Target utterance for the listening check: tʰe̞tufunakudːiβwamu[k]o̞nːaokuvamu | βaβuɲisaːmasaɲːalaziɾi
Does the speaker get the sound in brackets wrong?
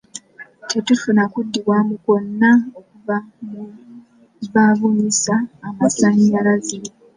no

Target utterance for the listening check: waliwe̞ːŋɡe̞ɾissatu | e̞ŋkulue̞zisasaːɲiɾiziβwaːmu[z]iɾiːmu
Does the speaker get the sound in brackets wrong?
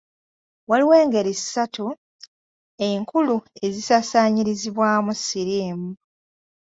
yes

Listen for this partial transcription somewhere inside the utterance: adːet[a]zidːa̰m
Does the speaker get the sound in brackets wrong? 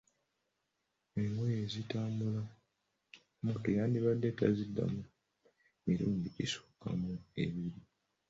no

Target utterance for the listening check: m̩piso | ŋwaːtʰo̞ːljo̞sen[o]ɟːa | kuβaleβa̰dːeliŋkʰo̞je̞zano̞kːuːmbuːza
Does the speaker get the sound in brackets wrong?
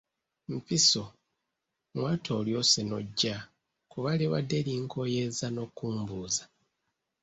no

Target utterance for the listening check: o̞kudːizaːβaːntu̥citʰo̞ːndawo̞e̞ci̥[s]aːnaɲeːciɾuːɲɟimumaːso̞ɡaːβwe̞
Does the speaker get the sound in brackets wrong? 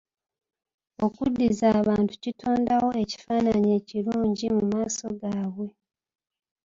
yes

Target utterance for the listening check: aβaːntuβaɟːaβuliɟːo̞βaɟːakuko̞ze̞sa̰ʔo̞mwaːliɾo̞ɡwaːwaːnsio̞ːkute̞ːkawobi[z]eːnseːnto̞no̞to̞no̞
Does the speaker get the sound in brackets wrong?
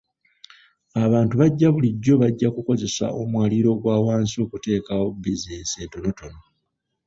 no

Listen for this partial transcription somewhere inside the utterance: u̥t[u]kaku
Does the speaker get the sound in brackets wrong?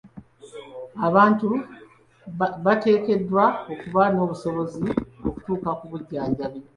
yes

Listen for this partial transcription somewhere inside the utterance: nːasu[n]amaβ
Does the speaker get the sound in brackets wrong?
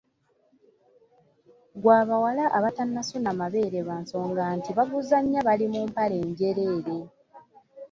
no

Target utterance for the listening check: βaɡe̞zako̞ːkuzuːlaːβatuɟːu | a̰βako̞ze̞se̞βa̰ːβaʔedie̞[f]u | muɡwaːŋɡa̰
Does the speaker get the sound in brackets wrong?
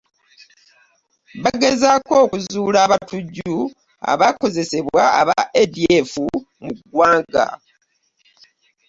no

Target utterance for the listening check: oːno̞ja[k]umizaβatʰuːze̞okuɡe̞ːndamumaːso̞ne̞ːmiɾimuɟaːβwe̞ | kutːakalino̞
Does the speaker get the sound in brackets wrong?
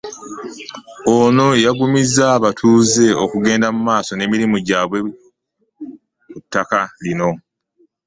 yes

